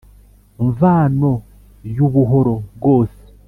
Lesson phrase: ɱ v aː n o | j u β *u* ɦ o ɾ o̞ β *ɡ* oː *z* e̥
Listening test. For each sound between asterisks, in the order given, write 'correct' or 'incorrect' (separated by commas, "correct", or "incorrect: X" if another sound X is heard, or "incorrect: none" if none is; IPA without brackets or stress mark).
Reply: correct, correct, incorrect: s